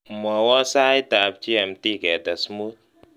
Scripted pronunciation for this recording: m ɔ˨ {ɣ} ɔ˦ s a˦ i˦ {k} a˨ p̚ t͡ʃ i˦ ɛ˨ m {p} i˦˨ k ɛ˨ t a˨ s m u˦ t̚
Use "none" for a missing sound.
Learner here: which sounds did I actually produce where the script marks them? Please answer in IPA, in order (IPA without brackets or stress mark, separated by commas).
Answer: w, t, t